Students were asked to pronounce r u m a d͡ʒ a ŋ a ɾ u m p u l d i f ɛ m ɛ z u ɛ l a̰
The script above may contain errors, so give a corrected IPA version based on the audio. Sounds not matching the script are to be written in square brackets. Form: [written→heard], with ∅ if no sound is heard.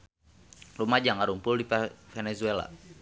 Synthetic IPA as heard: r u m a d͡ʒ a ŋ a ɾ u m p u l d i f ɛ [m→n] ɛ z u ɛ l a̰